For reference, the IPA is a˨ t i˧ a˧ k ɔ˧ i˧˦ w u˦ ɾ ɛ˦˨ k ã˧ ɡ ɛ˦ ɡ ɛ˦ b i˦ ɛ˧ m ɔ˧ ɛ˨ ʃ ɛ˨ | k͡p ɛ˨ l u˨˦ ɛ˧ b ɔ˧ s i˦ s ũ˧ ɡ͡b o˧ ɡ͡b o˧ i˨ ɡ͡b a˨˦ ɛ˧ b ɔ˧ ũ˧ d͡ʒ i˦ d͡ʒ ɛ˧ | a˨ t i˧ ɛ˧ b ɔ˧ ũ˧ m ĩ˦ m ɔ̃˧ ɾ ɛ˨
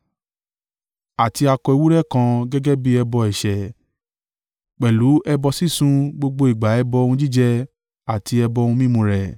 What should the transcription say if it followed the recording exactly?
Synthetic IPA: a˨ t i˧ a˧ k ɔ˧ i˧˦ w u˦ ɾ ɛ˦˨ k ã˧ ɡ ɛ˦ ɡ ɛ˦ b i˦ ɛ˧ b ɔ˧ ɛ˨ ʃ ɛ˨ | k͡p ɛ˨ l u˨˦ ɛ˧ b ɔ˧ s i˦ s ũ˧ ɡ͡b o˧ ɡ͡b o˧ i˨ ɡ͡b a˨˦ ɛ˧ b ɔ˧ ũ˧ d͡ʒ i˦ d͡ʒ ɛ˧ | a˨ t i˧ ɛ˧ b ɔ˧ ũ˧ m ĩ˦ m ũ˧ ɾ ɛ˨